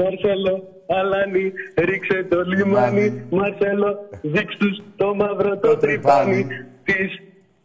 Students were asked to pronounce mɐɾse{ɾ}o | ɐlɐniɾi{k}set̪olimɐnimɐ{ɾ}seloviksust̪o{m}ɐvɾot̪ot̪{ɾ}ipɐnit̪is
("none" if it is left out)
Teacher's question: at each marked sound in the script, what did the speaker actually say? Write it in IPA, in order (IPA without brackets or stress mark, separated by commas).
l, k, ɾ, m, ɾ